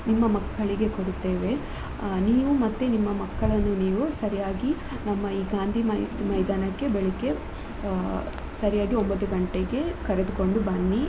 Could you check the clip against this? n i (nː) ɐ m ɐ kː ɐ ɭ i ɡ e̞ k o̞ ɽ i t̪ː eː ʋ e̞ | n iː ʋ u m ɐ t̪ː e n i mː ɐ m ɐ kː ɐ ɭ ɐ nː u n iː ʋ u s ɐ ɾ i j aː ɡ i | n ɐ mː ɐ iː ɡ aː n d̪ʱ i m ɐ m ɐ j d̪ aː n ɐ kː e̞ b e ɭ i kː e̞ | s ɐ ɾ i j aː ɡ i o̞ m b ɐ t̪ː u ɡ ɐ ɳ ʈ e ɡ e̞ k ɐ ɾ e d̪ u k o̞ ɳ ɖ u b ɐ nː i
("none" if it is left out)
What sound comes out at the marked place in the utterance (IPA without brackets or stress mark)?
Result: mː